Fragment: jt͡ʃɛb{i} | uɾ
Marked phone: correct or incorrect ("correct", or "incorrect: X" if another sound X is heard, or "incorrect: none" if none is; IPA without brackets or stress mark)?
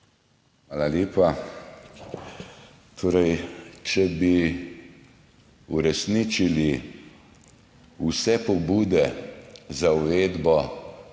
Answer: correct